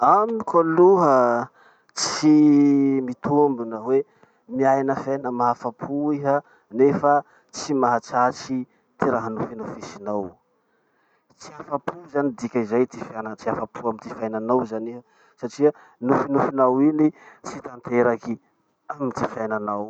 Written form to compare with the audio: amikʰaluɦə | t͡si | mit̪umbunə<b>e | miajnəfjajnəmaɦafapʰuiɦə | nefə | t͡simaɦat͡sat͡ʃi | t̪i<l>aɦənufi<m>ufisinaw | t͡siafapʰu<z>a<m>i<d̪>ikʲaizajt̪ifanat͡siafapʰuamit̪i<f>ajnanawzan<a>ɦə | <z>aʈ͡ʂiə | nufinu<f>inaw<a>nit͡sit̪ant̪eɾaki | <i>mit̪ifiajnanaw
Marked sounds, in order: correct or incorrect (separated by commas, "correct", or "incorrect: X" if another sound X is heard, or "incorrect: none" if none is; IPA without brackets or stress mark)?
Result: incorrect: w, incorrect: ɾ, incorrect: n, correct, incorrect: n, correct, correct, incorrect: i, incorrect: s, correct, incorrect: i, incorrect: a